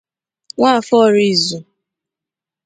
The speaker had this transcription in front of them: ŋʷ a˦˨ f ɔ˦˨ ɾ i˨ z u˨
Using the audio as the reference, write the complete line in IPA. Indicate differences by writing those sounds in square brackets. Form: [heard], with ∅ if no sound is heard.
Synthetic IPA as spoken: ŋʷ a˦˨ f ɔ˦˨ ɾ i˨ z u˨

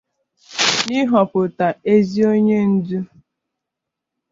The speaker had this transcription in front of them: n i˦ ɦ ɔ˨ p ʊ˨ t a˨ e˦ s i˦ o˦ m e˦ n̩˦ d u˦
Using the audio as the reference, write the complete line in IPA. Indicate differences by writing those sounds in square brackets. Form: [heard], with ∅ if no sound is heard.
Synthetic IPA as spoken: n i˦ ɦ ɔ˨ p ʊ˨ t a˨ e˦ [z] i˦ o˦ [ɲ] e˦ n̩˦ d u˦

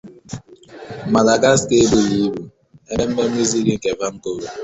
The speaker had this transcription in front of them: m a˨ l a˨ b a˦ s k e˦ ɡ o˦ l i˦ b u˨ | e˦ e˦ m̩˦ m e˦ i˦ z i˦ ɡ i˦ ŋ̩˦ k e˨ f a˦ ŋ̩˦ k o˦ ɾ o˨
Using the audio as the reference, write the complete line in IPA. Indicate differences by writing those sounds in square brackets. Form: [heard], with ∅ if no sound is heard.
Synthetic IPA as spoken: m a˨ l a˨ [ɡ] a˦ s k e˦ [b] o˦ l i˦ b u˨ | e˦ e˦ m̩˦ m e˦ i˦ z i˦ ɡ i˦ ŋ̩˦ k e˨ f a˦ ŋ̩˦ k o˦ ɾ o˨

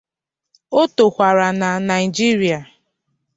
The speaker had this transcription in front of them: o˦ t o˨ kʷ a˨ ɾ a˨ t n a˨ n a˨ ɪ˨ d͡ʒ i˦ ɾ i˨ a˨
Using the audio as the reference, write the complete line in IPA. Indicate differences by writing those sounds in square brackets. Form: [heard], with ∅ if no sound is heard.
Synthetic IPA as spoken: o˦ t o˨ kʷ a˨ ɾ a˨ [∅] n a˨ n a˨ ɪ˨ d͡ʒ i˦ ɾ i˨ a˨

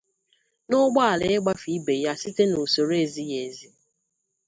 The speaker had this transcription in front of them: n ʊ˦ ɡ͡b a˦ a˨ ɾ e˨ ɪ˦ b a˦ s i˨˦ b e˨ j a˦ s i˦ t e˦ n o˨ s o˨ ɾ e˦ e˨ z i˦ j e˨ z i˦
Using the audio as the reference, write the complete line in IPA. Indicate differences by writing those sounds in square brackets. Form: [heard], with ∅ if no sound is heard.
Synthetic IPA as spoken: n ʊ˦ ɡ͡b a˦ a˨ [l] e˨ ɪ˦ [ɡ͡b] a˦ [f] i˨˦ b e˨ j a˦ s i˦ t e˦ n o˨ s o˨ ɾ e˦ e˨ z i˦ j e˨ z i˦

